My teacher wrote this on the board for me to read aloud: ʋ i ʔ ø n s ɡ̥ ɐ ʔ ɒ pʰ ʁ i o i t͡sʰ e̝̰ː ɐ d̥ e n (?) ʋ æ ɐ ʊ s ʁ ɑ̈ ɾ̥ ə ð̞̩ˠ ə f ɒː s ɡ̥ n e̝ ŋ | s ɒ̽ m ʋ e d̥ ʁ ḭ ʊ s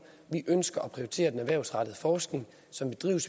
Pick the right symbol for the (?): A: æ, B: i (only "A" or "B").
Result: A